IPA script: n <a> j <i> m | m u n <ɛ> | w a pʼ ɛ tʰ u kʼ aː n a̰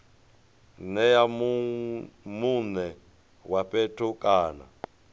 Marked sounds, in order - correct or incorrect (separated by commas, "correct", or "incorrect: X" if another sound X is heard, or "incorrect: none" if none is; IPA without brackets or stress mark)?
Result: incorrect: ɛ, incorrect: a, correct